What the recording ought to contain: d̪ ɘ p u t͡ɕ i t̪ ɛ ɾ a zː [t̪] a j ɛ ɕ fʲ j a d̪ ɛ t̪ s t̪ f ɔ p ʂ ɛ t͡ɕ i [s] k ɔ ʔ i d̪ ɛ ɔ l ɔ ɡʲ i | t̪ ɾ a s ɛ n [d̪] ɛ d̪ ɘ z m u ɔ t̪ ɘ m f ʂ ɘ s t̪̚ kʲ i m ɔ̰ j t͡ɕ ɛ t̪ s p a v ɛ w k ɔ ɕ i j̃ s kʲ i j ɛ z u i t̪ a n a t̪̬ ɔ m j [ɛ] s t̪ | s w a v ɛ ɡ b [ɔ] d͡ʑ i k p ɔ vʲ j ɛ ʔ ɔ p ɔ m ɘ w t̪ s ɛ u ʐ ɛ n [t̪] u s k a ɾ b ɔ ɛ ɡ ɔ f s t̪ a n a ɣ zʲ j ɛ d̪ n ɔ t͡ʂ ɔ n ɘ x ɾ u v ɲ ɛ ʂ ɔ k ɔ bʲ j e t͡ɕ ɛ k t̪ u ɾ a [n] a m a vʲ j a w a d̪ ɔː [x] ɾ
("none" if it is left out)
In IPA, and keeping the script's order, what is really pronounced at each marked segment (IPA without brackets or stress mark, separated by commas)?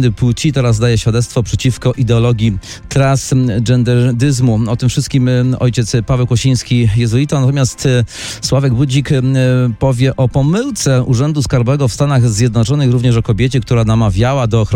d̪, f, d̪, a, u, d̪, n, x